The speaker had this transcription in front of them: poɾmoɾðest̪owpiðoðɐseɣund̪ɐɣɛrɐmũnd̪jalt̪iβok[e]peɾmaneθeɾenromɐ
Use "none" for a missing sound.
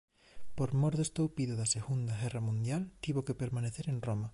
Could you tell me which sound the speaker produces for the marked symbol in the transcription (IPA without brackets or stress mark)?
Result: e